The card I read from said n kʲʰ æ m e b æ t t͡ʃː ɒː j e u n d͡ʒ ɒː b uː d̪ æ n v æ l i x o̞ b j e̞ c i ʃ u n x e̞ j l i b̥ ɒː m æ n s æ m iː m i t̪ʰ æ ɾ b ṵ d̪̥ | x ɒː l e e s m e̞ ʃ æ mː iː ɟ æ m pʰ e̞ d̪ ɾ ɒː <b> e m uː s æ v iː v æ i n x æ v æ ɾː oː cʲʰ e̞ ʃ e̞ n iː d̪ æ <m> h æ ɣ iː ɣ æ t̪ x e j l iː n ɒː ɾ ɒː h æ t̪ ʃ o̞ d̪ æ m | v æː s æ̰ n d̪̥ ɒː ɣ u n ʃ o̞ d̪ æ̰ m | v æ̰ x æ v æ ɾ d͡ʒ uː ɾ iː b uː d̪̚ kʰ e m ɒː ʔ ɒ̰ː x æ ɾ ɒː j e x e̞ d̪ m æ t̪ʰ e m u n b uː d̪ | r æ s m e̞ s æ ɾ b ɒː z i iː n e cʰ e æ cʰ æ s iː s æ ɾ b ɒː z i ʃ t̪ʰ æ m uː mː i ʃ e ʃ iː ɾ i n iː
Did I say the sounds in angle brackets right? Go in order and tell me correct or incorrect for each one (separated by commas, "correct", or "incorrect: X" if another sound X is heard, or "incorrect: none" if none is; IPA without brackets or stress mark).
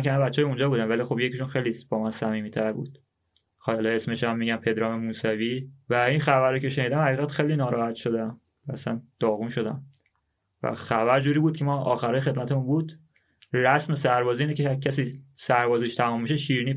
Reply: incorrect: m, correct